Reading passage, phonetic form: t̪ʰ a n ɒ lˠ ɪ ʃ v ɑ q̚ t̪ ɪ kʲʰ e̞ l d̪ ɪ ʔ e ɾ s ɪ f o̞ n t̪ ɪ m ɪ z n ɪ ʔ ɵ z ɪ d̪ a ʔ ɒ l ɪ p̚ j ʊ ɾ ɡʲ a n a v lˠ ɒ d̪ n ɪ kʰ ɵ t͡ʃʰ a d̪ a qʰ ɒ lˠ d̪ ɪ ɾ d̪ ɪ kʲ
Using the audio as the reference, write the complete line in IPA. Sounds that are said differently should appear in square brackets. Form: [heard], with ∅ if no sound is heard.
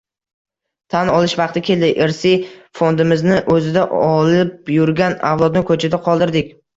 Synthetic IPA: t̪ʰ a n ɒ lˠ ɪ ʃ v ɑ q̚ t̪ ɪ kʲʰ e̞ l d̪ ɪ ʔ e ɾ s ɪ f o̞ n [d̪] ɪ m ɪ z n ɪ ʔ ɵ z ɪ d̪ a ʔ ɒ l ɪ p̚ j ʊ ɾ ɡʲ a n a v lˠ ɒ d̪ n ɪ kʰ ɵ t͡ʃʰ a d̪ a qʰ ɒ lˠ d̪ ɪ ɾ d̪ ɪ kʲ